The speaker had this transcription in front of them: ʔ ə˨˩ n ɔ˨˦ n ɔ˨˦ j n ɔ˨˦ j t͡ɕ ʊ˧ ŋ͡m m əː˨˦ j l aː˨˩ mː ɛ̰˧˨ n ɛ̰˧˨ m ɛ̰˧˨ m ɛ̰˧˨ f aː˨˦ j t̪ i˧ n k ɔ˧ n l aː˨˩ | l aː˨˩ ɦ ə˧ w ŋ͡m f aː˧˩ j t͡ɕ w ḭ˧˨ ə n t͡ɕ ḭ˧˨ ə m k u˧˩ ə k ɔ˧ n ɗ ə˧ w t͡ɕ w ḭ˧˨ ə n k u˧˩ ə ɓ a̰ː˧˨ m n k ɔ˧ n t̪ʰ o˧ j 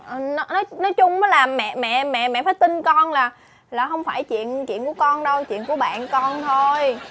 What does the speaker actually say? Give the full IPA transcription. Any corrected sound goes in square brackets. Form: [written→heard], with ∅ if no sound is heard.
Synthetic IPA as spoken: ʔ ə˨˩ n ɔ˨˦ n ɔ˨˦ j n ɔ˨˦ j t͡ɕ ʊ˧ ŋ͡m m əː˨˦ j l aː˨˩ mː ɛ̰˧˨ [n→m] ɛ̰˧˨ m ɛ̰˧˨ m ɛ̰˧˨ f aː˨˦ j t̪ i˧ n k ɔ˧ n l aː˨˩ | l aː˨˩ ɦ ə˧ w ŋ͡m f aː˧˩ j t͡ɕ w ḭ˧˨ ə n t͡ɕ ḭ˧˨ ə [m→n] k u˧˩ ə k ɔ˧ n ɗ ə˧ w t͡ɕ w ḭ˧˨ ə n k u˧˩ ə ɓ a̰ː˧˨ [m→∅] n k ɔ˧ n t̪ʰ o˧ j

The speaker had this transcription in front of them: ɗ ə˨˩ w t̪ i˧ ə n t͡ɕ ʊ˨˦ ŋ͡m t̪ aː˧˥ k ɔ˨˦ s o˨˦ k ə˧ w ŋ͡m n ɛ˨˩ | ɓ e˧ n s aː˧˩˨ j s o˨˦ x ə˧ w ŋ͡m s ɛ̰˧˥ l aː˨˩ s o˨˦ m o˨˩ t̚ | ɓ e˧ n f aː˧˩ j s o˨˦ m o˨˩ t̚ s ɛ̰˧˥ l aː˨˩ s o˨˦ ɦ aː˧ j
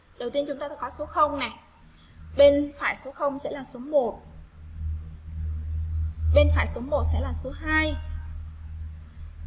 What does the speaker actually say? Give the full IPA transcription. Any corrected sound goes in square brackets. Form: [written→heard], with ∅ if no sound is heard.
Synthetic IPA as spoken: ɗ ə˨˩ w t̪ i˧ ə n t͡ɕ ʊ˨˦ ŋ͡m t̪ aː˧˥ k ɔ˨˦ s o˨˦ [k→x] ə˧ w ŋ͡m n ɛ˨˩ | ɓ e˧ n [s→f] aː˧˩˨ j s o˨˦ x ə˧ w ŋ͡m s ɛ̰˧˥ l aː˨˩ s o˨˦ m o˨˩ t̚ | ɓ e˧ n f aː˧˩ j s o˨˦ m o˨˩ t̚ s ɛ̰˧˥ l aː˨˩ s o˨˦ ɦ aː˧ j

